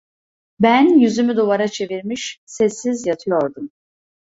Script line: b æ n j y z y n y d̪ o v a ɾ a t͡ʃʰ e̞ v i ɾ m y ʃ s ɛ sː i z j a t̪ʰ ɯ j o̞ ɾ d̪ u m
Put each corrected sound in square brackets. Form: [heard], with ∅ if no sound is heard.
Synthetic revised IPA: b æ n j y z y [m] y d̪ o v a ɾ a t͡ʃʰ e̞ v i ɾ m [i] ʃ s ɛ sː i z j a t̪ʰ ɯ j o̞ ɾ d̪ u m